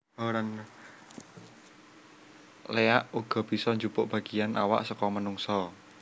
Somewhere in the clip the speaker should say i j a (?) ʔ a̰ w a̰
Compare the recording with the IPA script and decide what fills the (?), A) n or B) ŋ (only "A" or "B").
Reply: A